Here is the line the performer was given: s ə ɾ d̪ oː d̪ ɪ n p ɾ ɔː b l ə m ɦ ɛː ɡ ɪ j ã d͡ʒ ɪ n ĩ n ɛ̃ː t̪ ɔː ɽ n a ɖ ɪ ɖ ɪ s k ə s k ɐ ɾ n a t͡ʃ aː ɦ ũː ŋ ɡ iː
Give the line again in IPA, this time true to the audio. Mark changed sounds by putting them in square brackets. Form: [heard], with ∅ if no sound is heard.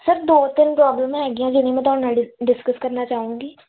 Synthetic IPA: s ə ɾ d̪ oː [t̪] ɪ n p ɾ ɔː b l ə m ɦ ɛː ɡ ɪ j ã d͡ʒ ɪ n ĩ [m] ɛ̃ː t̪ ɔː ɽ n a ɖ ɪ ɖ ɪ s k ə s k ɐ ɾ n a t͡ʃ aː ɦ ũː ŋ ɡ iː